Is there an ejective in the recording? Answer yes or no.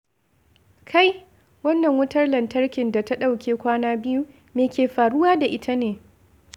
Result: no